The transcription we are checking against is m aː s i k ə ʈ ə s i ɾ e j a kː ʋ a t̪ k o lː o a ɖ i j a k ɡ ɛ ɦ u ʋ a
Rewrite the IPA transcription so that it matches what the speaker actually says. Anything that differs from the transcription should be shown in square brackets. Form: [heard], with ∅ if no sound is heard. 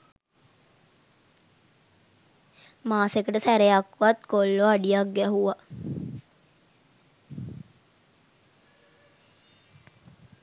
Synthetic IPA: m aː s [e] k ə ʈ ə s [æ] ɾ e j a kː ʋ a t̪ k o lː o a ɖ i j a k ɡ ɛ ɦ u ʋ a